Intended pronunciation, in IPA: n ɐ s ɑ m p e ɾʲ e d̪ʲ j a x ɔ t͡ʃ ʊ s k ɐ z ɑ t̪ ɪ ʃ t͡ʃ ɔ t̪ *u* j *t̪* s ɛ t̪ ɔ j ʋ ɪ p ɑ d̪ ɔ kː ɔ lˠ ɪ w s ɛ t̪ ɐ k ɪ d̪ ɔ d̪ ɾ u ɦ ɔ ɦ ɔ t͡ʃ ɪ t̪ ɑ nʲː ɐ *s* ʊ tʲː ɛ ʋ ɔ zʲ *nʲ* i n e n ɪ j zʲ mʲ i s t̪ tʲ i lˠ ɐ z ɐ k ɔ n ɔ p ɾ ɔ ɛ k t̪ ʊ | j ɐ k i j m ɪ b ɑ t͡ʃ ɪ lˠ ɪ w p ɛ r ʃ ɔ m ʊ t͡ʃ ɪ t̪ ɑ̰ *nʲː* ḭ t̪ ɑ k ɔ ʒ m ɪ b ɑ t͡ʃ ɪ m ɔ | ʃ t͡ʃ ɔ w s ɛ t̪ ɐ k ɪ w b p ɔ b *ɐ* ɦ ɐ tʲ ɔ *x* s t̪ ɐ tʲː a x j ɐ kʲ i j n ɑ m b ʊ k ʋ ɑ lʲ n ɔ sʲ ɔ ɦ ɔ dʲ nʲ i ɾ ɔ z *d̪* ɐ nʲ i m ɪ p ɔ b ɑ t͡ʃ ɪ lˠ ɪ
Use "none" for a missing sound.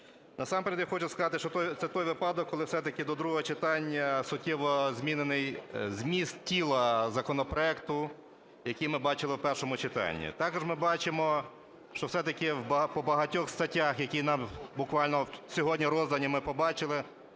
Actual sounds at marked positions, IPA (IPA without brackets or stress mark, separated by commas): ɔ, t̪, s, mʲ, nʲː, ɐ, x, d̪